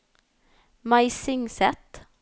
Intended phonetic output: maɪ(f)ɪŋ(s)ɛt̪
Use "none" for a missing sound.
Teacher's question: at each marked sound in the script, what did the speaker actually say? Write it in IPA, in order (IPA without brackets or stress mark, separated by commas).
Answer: s, s